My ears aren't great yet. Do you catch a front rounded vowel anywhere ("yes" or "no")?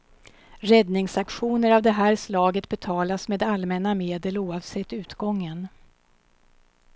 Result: no